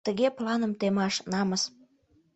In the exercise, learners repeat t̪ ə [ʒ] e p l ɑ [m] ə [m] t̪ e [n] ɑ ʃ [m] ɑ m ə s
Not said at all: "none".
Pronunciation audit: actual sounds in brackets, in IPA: ɣ, n, m, m, n

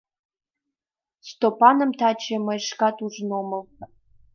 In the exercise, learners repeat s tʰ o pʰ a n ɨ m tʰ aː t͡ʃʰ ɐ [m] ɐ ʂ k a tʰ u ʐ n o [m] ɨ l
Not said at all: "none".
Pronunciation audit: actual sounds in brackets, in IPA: m, m

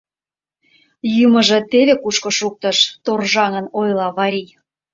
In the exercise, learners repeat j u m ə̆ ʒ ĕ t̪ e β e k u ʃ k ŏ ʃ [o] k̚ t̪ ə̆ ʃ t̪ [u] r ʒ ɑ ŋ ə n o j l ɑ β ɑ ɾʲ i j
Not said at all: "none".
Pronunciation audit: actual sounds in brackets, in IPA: u, o

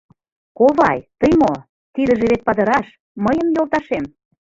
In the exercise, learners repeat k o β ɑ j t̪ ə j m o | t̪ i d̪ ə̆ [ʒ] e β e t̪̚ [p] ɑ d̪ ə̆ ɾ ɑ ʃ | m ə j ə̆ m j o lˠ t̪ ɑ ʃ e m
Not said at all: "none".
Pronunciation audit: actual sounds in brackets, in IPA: ʒ, p

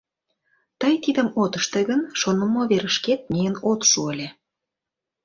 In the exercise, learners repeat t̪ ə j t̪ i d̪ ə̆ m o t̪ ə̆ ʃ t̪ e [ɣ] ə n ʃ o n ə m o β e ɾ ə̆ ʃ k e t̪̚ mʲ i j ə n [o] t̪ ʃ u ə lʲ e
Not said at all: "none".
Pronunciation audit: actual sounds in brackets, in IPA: ɣ, o

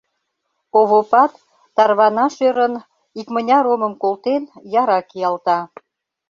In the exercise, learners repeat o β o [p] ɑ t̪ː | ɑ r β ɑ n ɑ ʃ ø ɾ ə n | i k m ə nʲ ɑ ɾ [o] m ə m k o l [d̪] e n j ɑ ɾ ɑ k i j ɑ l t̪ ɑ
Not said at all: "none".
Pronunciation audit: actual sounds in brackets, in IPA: p, o, t̪

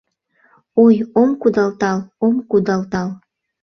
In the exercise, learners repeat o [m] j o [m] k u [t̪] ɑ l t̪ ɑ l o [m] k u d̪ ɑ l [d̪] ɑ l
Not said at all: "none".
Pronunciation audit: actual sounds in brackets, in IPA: none, m, d̪, m, t̪

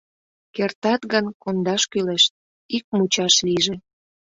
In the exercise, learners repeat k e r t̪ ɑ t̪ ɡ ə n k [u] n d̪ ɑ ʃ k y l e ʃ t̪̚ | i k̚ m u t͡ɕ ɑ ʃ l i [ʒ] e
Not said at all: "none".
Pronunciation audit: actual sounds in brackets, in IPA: o, ʒ

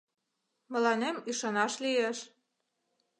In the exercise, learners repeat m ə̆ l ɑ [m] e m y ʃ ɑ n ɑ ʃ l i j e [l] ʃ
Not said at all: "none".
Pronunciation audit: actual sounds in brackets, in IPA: n, none

